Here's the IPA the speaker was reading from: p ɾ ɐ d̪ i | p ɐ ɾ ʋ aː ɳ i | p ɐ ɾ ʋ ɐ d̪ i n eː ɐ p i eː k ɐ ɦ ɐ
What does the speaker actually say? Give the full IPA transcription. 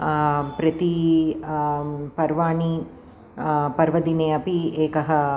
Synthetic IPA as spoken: p ɾ ɐ t̪ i | p ɐ ɾ ʋ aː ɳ i | p ɐ ɾ ʋ ɐ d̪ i n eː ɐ p i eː k ɐ ɦ ɐ